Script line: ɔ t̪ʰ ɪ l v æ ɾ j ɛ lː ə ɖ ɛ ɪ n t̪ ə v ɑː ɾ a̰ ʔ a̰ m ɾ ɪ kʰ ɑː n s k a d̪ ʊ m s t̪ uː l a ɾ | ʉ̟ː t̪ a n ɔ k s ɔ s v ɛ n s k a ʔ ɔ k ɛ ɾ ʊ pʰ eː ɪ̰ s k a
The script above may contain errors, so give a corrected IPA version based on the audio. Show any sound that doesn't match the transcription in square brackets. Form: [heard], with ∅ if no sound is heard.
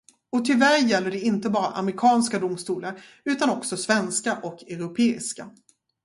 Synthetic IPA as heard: ɔ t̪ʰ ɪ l v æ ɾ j ɛ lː ə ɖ ɛ ɪ n t̪ ə [b] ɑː ɾ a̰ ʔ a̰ m ɾ ɪ kʰ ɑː n s k a d̪ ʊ m s t̪ uː l a ɾ | ʉ̟ː t̪ a n ɔ k s ɔ s v ɛ n s k a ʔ ɔ k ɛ ɾ ʊ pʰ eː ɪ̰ s k a